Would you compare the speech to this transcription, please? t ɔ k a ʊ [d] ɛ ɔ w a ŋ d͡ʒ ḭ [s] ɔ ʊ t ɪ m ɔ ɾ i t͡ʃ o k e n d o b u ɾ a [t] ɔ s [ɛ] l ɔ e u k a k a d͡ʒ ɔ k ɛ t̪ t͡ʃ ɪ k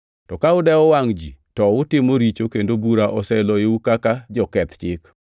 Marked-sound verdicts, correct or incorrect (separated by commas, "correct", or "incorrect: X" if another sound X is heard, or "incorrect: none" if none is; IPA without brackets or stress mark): correct, incorrect: t, incorrect: ʔ, correct